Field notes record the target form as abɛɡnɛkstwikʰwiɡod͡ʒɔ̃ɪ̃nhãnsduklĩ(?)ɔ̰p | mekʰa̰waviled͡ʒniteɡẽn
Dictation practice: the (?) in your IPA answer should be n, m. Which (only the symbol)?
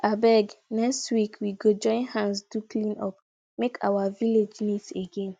n